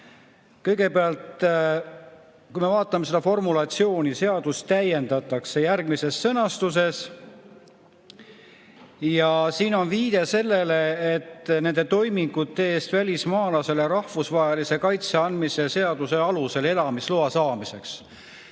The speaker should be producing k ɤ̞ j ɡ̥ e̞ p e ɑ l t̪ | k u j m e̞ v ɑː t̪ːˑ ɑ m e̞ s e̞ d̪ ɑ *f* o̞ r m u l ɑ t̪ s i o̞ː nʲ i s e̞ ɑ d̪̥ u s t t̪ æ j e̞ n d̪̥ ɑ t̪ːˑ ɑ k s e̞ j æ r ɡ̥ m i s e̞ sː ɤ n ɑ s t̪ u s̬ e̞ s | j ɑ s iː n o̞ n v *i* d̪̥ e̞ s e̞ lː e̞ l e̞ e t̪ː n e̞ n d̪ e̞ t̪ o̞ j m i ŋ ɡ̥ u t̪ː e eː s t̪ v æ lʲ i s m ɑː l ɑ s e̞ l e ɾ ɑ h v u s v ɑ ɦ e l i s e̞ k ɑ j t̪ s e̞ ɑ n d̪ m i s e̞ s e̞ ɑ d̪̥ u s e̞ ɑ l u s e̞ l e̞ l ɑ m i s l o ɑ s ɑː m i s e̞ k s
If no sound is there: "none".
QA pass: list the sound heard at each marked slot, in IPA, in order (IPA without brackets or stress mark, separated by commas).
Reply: f, iː